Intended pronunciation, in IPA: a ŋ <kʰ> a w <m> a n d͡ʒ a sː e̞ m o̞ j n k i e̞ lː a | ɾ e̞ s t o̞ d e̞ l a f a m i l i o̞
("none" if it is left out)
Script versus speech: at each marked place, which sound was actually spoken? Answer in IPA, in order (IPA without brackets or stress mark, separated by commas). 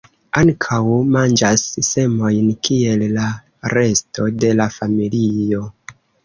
kʰ, m